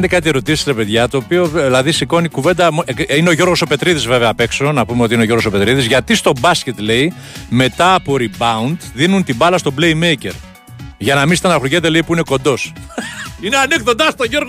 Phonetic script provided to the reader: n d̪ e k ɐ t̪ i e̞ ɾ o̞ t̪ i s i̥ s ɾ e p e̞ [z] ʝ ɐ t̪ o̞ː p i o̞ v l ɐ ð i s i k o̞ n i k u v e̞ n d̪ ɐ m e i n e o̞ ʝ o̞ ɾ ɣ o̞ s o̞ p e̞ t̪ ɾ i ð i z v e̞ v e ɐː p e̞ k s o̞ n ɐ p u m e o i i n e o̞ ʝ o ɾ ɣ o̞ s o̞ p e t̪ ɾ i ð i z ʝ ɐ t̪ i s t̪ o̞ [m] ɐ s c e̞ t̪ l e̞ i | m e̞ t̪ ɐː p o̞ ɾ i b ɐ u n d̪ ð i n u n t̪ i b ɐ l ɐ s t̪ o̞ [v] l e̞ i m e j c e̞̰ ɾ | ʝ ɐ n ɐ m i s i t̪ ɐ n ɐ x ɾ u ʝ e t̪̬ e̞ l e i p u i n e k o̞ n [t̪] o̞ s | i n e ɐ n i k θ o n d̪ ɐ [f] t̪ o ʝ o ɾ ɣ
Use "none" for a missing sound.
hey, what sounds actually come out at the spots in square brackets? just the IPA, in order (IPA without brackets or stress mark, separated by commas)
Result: ð, b, b, d̪, s